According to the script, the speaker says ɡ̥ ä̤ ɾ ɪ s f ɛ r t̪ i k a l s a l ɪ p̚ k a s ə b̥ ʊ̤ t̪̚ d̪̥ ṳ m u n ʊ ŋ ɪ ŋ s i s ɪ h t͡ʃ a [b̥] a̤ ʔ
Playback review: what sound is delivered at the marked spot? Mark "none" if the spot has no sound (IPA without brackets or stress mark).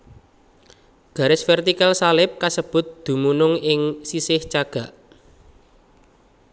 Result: ɡ̥